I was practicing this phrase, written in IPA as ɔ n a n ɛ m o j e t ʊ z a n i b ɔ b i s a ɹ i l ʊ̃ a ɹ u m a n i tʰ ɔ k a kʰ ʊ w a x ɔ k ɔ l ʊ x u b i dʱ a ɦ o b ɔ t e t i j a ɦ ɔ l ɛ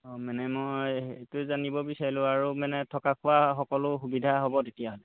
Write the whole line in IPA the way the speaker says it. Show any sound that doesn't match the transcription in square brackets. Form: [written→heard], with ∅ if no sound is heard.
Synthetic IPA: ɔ [n→m] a n ɛ m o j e t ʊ z a n i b ɔ b i s a ɹ i l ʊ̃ a ɹ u m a n [i→ɛ] tʰ ɔ k a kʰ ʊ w a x ɔ k ɔ l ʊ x u b i dʱ a ɦ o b ɔ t e t i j a ɦ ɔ l ɛ